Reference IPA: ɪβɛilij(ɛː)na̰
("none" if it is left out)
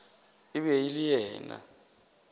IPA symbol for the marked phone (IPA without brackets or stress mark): ɛː